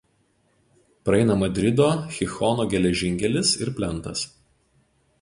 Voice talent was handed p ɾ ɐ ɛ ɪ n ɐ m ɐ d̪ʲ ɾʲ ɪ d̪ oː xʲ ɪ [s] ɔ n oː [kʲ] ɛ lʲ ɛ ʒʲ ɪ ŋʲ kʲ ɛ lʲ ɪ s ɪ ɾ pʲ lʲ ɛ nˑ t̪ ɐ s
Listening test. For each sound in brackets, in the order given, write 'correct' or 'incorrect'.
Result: incorrect, incorrect

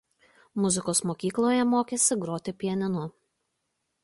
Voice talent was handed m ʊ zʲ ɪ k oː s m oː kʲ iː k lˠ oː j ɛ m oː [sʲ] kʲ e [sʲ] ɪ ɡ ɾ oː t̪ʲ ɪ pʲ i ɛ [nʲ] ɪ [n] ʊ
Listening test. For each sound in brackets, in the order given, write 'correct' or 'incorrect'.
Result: incorrect, correct, correct, correct

